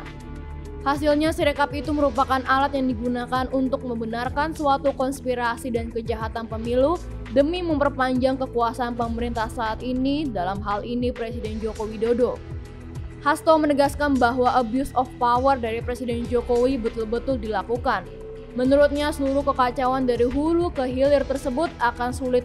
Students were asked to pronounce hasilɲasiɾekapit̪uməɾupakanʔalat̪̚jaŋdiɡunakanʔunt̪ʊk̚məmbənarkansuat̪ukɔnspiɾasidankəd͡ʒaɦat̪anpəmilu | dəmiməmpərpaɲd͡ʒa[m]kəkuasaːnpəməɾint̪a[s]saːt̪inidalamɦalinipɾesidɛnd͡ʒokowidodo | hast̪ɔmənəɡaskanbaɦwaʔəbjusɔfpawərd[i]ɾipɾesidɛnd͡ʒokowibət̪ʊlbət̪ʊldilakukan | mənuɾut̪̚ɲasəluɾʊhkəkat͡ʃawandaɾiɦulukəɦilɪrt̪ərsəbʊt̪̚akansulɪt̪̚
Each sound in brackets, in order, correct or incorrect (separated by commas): incorrect, incorrect, incorrect